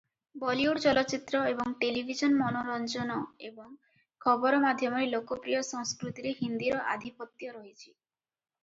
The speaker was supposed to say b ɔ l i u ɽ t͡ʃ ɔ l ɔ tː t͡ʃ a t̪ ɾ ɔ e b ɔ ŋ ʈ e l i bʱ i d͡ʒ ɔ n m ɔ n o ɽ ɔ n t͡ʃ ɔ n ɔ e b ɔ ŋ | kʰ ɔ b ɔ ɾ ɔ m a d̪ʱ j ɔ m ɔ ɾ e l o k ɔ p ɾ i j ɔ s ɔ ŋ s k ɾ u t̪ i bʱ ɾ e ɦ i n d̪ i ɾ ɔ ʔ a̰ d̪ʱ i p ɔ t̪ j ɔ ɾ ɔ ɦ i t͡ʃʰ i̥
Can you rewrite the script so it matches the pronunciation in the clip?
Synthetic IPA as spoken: b ɔ l i u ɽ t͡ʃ ɔ l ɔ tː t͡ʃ i t̪ ɾ ɔ e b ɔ ŋ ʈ e l i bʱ i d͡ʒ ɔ n m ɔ n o ɾ ɔ n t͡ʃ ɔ n ɔ e b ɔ ŋ | kʰ ɔ b ɔ ɾ ɔ m a d̪ʱ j ɔ m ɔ ɾ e l o k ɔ p ɾ i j ɔ s ɔ ŋ s k ɾ u t̪ i ɾ e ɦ i n d̪ i ɾ ɔ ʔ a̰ d̪ʱ i p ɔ t̪ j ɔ ɾ ɔ ɦ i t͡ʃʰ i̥